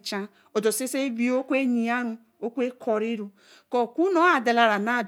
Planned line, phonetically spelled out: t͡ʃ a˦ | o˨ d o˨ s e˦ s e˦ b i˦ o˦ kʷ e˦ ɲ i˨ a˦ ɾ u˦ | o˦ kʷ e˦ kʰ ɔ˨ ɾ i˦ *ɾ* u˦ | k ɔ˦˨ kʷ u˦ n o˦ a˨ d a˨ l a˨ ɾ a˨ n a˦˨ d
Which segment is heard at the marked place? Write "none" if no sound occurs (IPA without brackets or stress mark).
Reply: ɾ